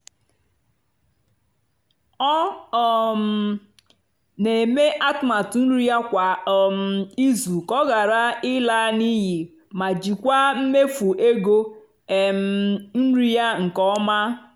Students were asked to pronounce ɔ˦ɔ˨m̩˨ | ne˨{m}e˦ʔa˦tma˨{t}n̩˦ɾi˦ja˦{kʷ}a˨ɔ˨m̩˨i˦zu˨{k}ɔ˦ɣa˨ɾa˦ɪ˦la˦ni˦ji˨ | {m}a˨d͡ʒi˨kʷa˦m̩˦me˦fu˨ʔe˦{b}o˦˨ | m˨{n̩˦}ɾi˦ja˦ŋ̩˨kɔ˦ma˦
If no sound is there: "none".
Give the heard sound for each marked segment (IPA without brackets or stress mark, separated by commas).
m, t, kʷ, k, m, ɡ, n̩˦